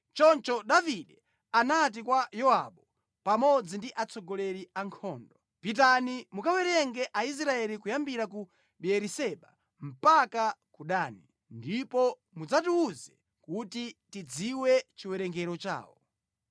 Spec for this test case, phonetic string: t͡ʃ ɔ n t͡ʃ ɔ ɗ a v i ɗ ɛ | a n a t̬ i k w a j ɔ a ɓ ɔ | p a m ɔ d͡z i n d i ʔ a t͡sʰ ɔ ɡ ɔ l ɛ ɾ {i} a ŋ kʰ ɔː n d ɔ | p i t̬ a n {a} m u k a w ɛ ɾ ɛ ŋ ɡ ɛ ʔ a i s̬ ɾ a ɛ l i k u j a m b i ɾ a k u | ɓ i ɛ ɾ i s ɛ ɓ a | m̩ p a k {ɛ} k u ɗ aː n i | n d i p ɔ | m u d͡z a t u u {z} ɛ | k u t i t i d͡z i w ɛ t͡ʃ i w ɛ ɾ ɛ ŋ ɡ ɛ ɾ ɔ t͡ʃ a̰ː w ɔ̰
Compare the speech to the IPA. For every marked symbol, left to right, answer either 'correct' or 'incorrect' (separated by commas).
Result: correct, incorrect, incorrect, correct